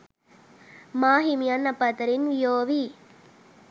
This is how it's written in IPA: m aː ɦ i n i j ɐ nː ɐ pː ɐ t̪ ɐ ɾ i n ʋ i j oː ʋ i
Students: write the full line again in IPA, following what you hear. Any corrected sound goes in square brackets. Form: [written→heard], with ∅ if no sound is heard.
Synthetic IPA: m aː ɦ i [n→m] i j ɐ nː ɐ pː ɐ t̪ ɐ ɾ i n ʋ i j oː ʋ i